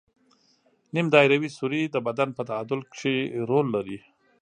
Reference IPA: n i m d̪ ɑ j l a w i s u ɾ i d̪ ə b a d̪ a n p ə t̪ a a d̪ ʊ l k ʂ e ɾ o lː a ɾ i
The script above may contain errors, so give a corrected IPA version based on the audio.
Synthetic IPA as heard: n i m d̪ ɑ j ɾ a w i s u ɾ i d̪ ə b a d̪ a n p ə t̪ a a d̪ ʊ l k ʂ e ɾ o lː a ɾ i